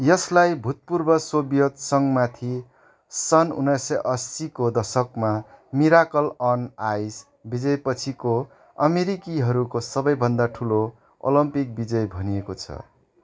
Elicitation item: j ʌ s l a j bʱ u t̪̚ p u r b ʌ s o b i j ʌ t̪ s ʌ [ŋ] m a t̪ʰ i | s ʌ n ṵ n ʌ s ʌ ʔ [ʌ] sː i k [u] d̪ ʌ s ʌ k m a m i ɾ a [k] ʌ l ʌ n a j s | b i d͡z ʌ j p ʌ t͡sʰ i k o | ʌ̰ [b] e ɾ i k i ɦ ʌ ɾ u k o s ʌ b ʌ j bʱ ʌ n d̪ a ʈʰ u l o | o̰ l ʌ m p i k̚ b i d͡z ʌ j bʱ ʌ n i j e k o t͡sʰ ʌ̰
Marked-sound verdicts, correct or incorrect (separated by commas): correct, correct, incorrect, correct, incorrect